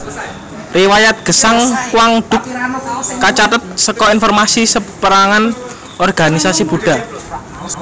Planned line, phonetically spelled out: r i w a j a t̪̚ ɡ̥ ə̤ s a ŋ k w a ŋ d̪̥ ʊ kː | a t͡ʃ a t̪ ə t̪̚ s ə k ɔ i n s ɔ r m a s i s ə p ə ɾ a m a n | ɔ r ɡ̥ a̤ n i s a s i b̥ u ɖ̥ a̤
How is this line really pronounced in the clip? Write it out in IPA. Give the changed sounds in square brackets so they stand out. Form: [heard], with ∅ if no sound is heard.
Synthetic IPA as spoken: r i w a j a t̪̚ ɡ̥ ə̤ s a ŋ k w a ŋ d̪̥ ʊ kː | a t͡ʃ a t̪ ə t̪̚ s ə k ɔ i n [f] ɔ r m a s i s ə p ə ɾ a [ŋ] a n | ɔ r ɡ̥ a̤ n i s a s i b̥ u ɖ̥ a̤